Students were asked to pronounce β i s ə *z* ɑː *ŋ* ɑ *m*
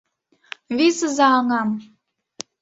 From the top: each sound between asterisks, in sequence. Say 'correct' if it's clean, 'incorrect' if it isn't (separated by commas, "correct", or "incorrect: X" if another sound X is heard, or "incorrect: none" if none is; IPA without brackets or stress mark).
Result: correct, correct, correct